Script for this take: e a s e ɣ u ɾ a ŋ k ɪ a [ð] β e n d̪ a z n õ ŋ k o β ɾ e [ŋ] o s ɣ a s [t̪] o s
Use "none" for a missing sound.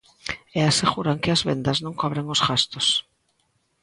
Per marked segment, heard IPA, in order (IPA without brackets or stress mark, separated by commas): z, ŋ, t̪